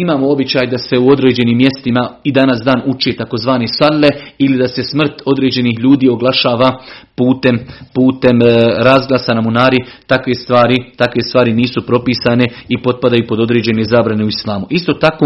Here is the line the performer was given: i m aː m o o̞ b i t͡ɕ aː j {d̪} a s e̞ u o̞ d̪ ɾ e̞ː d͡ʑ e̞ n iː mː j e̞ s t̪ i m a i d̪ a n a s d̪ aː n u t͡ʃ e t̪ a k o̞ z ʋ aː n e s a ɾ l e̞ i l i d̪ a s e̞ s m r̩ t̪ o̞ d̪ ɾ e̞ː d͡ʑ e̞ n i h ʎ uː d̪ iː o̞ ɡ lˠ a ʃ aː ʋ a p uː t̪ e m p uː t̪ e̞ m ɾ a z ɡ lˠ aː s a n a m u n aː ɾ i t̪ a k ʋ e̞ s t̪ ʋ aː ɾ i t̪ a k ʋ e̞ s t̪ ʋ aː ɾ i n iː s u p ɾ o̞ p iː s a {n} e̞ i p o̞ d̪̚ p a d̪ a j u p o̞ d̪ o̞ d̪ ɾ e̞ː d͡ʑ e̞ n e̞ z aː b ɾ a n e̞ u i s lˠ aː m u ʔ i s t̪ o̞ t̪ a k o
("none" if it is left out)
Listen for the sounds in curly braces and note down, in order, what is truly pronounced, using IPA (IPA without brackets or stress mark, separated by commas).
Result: d̪, n